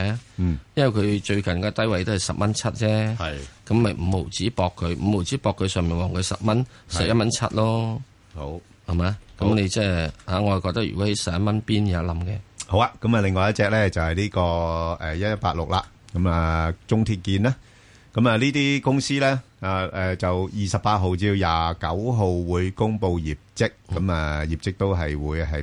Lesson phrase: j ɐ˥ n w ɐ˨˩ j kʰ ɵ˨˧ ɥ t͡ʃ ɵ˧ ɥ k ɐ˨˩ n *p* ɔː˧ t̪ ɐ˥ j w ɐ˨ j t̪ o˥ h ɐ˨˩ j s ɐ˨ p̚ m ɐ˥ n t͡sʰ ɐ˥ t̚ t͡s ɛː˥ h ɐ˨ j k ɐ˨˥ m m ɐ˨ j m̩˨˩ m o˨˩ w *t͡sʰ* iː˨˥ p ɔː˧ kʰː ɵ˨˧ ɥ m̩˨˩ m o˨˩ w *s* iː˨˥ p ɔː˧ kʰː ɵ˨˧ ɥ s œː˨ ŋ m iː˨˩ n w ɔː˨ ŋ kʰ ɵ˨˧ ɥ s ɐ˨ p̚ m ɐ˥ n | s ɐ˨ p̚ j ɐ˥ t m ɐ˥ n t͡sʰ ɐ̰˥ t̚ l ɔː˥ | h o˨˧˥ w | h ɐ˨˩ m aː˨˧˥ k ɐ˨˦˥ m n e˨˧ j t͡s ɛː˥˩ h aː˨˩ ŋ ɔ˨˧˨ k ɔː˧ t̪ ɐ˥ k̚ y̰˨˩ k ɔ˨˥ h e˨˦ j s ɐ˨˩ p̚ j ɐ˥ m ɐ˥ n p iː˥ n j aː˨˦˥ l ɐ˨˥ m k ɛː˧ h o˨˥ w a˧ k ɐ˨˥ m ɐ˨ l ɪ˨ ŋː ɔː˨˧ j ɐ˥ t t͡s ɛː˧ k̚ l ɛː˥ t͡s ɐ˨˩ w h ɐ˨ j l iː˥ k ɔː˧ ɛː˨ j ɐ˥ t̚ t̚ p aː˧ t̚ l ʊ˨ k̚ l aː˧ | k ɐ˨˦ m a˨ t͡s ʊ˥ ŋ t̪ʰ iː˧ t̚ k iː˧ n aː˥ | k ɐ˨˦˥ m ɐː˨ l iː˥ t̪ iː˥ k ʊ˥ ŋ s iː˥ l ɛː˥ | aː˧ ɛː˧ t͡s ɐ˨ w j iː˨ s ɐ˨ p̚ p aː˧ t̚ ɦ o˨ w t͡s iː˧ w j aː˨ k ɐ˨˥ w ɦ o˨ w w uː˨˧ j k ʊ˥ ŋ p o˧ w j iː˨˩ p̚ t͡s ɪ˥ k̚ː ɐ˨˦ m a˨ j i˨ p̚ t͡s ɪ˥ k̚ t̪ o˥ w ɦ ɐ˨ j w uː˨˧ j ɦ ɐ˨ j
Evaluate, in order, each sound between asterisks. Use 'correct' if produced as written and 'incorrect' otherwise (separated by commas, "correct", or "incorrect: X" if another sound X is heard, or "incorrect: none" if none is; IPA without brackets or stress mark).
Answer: incorrect: k, incorrect: t͡s, incorrect: t͡s